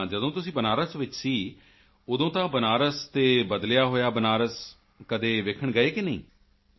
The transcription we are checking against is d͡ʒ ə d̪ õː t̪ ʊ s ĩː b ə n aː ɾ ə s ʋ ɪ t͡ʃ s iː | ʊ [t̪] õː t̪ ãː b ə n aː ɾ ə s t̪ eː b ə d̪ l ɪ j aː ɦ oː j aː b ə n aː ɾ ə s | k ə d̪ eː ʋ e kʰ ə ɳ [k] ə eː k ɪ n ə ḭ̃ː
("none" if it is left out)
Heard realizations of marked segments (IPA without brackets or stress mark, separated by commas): d̪, ɡ